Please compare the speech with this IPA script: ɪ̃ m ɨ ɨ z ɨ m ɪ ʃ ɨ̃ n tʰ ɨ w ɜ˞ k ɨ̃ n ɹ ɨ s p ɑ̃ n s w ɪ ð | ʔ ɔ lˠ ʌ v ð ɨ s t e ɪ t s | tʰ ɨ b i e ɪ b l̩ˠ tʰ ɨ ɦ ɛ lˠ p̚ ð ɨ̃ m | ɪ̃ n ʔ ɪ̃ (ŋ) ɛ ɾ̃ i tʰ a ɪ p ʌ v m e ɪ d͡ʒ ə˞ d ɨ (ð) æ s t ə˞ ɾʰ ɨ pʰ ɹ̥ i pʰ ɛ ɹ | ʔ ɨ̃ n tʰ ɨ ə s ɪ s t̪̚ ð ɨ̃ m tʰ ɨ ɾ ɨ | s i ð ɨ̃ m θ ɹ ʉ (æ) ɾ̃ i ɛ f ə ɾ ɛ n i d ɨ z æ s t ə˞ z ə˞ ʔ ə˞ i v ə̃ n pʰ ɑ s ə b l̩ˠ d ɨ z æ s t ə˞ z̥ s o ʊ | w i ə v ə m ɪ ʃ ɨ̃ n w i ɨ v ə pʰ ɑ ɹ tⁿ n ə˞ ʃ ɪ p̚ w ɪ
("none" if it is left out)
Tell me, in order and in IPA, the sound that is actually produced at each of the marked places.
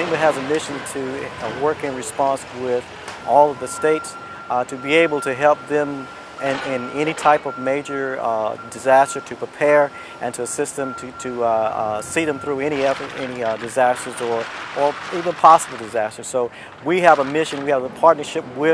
n, z, ɛ

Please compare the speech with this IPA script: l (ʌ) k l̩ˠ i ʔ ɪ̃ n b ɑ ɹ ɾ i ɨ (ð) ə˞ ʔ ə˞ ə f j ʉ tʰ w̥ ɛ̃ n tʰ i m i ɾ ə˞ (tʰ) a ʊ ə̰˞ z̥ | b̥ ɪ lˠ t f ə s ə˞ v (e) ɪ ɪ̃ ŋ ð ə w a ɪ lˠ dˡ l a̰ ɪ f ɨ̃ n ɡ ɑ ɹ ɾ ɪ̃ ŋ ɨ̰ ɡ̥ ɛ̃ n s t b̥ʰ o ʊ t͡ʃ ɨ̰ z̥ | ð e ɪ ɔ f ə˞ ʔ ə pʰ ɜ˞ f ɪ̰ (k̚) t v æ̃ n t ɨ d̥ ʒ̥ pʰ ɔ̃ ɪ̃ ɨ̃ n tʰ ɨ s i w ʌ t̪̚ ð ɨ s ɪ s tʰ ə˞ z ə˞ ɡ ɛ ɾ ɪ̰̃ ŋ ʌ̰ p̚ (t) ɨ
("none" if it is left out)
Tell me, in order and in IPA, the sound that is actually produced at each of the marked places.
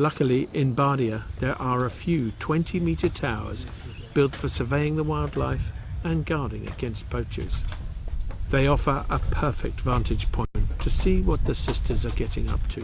ʌ, ð, tʰ, e, k̚, tʰ

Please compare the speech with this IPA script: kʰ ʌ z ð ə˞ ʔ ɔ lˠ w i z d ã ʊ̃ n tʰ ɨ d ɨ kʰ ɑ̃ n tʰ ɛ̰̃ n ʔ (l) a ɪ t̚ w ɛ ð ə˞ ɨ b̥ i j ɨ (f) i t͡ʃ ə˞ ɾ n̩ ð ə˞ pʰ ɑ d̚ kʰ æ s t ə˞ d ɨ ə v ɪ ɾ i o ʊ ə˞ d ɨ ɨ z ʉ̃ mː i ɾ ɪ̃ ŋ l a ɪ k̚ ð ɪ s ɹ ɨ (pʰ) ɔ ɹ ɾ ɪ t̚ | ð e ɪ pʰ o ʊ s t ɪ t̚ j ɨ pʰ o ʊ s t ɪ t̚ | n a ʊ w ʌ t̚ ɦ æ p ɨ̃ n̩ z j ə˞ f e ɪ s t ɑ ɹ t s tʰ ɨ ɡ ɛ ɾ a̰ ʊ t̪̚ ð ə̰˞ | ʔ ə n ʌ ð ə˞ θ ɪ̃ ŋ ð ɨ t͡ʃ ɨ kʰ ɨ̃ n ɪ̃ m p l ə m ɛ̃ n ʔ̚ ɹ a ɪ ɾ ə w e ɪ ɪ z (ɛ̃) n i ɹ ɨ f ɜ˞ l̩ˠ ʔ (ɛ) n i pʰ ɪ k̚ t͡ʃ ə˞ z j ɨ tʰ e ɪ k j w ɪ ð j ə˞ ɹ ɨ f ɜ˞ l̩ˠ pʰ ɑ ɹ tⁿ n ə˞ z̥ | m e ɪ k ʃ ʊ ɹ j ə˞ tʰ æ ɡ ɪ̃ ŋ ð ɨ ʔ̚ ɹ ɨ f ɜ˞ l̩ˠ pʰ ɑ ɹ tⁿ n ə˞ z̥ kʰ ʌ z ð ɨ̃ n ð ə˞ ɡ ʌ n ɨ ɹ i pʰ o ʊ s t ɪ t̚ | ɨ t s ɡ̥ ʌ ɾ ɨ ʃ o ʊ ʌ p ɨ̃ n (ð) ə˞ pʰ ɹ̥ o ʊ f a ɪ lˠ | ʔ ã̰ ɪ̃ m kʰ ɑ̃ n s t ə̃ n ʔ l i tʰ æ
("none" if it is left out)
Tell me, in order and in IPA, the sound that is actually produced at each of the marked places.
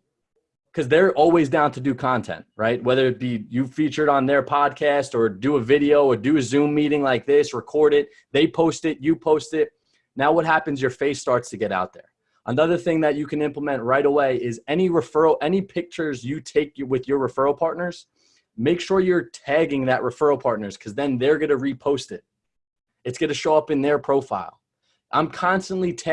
ɹ, f, kʰ, ɛ, ɛ, ð

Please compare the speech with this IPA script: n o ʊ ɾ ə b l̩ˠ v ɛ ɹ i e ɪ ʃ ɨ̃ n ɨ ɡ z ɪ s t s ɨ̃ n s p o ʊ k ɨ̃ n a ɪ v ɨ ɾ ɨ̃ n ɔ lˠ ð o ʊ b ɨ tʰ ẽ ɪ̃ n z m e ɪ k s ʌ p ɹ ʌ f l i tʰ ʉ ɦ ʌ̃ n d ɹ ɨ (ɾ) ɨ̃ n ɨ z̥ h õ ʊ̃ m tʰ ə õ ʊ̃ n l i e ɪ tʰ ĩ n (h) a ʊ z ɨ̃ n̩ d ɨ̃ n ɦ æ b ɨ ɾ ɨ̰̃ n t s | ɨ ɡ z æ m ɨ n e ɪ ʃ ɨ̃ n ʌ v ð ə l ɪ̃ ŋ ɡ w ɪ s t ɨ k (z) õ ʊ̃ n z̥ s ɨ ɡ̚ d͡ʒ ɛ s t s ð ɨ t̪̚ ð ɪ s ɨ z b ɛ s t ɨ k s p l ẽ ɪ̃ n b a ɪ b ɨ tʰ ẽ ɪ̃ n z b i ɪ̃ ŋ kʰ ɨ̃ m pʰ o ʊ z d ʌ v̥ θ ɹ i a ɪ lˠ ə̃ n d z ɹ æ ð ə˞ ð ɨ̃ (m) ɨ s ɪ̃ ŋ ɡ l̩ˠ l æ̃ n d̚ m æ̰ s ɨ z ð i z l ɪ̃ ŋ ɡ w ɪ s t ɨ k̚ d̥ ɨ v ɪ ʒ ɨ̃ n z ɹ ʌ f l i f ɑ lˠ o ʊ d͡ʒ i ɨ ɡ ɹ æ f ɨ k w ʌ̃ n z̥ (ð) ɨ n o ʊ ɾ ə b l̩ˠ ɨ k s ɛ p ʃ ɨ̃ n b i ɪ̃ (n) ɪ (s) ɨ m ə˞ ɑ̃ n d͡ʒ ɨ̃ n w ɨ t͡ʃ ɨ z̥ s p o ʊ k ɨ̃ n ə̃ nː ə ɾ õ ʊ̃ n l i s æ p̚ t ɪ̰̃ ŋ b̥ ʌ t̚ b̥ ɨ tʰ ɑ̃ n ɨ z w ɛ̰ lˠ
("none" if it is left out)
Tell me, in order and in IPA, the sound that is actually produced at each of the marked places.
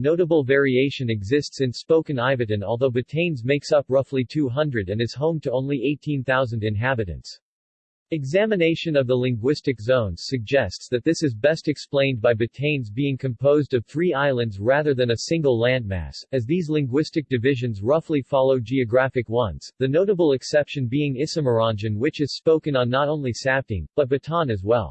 ɾ, θ, z, n, ð, ŋ, s

